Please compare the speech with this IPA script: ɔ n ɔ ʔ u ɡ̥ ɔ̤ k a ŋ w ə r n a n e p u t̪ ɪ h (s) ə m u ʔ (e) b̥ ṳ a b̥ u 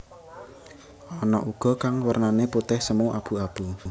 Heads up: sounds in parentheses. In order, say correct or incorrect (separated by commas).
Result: correct, incorrect